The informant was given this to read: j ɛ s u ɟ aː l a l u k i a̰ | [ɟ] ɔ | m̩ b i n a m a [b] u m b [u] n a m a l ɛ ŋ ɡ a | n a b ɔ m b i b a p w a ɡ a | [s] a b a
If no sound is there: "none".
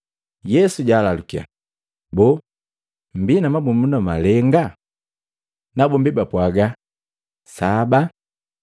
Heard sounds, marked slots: b, b, u, s

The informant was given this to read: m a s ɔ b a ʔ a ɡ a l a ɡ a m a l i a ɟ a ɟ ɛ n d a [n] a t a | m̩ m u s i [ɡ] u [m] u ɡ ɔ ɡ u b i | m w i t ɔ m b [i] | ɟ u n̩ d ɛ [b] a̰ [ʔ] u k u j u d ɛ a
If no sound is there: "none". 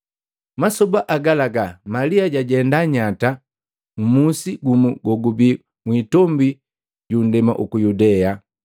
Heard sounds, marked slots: ɲ, ɡ, m, i, m, ʔ

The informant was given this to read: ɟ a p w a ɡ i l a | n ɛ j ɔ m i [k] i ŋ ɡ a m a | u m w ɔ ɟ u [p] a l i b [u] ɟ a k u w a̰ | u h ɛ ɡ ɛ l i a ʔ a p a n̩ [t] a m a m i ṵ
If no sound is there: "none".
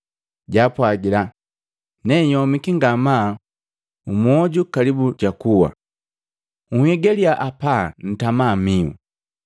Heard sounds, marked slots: k, k, u, t

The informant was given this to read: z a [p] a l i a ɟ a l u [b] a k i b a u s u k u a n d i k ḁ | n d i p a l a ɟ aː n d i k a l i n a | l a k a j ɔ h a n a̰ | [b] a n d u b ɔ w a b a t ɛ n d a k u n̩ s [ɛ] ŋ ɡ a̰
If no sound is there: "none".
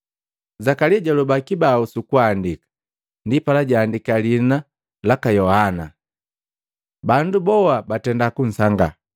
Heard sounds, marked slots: k, b, b, a

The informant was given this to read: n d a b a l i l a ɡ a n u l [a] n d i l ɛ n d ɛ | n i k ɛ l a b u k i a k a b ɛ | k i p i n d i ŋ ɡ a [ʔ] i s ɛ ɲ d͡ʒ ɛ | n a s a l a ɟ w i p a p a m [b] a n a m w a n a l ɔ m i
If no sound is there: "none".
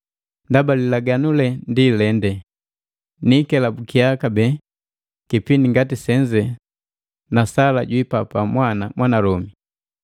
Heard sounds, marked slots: ɛ, t, w

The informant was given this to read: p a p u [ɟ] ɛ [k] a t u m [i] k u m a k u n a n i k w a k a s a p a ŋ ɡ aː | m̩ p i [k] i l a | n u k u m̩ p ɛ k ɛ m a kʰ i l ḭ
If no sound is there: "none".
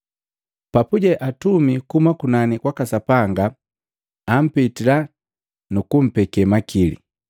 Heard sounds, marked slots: ɟ, ʔ, i, t

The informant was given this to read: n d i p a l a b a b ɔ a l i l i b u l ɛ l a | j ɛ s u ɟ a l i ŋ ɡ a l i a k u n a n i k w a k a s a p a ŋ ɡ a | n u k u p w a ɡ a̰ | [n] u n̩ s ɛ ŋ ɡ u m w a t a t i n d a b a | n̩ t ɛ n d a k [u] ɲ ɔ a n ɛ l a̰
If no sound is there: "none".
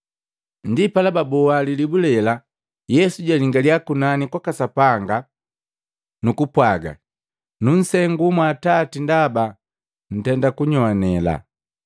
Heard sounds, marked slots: n, u

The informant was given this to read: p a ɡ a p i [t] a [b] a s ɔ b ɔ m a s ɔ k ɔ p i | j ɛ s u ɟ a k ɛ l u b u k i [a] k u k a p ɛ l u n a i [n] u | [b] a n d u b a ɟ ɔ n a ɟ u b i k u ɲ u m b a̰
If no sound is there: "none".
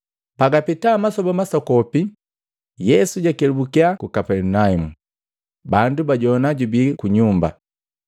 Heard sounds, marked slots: t, m, a, m, b

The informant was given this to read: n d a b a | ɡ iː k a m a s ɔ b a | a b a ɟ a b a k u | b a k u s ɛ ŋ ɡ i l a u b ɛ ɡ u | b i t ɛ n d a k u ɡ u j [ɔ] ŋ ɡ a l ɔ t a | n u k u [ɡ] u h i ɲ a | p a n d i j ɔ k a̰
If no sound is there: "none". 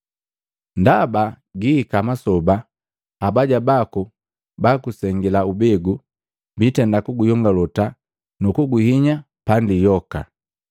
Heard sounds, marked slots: ɔ, ɡ

